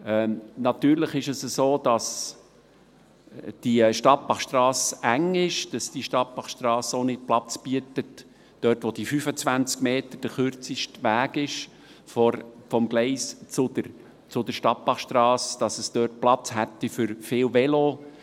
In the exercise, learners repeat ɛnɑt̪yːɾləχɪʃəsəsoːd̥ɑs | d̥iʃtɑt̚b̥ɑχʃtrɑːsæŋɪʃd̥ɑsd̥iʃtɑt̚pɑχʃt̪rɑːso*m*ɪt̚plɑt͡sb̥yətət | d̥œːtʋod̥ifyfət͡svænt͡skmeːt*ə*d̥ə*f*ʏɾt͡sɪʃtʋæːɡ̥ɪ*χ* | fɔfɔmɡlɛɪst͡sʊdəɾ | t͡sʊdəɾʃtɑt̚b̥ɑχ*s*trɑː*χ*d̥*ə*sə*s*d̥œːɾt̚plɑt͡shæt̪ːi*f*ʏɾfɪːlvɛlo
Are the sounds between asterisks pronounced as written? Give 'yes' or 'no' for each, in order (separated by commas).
no, yes, no, no, no, no, no, yes, yes